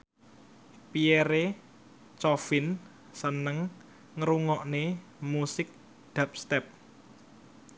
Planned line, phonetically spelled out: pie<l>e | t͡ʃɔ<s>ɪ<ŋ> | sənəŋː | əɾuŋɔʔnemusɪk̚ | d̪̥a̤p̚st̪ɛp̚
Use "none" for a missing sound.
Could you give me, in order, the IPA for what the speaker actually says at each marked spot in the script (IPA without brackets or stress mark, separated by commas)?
ɾ, f, n